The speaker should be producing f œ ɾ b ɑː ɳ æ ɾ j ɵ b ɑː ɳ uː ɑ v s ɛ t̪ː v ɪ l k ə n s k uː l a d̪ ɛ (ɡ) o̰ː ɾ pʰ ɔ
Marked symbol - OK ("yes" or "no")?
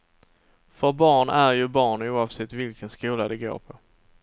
yes